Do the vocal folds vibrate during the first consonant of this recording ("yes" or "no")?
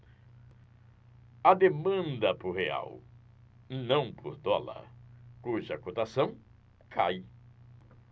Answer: yes